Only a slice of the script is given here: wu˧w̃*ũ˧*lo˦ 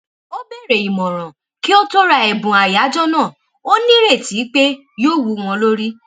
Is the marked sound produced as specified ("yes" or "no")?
no